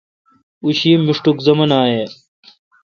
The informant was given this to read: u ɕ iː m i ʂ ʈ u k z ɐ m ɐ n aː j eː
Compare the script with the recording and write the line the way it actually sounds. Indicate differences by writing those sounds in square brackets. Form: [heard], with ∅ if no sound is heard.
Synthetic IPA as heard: u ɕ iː m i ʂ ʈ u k z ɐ m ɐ n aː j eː

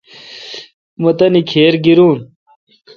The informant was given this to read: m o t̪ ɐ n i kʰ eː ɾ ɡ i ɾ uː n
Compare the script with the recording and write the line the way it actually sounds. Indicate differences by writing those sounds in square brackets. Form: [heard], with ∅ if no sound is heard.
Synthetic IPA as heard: m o t̪ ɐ n i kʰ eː ɾ ɡ i ɾ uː n

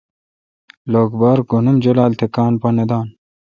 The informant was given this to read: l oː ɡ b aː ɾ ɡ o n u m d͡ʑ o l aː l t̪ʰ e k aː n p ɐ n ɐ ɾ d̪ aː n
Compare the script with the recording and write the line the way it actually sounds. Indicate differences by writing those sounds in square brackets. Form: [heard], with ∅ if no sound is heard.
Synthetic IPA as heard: l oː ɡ b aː ɾ ɡ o n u m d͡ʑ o l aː l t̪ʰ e k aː n p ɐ n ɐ [∅] d̪ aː n

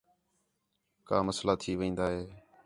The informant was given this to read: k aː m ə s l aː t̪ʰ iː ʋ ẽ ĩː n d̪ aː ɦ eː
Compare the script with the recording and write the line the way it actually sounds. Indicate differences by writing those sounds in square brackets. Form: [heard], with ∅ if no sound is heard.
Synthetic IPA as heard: k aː m ə s l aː t̪ʰ iː ʋ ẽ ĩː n d̪ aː ɦ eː

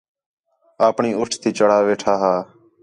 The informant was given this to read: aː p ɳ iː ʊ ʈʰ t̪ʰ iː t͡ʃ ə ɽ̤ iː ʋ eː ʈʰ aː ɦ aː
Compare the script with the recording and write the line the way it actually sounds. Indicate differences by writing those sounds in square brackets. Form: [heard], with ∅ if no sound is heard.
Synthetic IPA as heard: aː p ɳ iː ʊ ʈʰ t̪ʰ iː t͡ʃ ə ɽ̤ [aː] ʋ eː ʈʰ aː ɦ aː

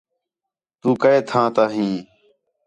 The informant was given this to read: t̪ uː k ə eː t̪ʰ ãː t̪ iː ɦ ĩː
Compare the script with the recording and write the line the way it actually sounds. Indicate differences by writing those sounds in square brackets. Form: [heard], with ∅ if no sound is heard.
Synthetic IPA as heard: t̪ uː k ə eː t̪ʰ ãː t̪ [aː] ɦ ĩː

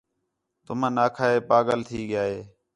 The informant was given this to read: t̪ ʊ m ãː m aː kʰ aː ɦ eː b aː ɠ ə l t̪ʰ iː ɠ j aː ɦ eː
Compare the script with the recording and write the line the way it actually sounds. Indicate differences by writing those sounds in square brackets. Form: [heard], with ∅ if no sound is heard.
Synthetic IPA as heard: t̪ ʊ m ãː [n] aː kʰ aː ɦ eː [p] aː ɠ ə l t̪ʰ iː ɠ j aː ɦ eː

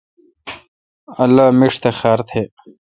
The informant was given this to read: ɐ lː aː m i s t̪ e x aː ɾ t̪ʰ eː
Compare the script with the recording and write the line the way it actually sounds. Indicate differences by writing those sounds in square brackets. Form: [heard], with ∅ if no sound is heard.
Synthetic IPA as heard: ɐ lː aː m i [ʂ] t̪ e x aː ɾ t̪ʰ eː

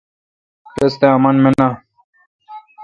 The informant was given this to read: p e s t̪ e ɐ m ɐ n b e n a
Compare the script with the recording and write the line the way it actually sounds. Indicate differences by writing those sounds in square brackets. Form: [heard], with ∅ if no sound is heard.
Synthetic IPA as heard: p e s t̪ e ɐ m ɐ n [m] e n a

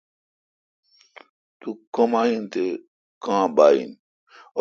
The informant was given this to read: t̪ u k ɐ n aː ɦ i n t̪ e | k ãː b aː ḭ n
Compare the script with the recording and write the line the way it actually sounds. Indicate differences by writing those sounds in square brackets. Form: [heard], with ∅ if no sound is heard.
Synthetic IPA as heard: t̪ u k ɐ [m] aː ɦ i n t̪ e | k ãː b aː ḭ n

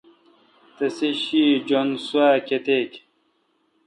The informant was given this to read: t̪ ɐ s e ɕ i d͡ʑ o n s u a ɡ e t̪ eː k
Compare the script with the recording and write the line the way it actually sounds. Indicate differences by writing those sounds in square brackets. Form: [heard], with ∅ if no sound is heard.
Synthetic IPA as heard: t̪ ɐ s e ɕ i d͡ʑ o n s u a [k] e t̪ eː k

